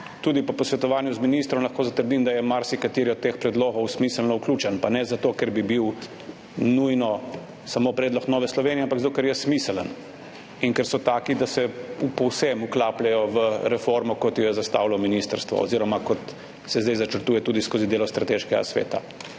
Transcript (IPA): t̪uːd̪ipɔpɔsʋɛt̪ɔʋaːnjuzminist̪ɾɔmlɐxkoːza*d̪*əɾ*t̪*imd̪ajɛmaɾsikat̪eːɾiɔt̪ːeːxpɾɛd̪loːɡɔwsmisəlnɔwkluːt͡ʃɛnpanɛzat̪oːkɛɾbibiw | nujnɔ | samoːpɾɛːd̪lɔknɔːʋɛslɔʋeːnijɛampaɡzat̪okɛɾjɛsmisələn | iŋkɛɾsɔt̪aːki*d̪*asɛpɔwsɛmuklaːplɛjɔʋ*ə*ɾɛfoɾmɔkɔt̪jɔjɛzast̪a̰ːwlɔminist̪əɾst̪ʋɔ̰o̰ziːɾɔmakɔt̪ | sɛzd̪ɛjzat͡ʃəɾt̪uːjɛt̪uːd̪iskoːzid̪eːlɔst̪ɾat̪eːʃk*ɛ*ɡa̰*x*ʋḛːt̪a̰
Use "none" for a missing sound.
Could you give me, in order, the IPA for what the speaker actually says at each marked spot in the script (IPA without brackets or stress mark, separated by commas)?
t̪, d̪, d̪, ə, ɛ, s